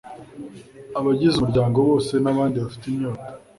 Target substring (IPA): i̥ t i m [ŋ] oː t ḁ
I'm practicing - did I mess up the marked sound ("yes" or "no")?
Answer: yes